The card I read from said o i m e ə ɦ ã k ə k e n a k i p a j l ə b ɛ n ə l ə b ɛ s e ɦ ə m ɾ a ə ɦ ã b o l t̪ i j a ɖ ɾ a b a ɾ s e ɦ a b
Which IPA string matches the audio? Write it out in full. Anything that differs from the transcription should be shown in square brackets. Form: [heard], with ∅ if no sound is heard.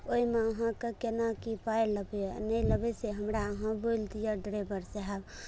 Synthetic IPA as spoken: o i m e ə ɦ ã k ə k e n a k i p a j l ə b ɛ n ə l ə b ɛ s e ɦ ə m ɾ a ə ɦ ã b o l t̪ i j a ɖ ɾ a b [ə] ɾ s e ɦ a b